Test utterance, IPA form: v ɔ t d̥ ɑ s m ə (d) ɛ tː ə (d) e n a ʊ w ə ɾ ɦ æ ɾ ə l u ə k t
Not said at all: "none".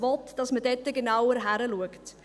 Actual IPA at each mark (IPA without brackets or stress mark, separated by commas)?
d, ɡ